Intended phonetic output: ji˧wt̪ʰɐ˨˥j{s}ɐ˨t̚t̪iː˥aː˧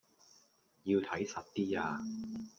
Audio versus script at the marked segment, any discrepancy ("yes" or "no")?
no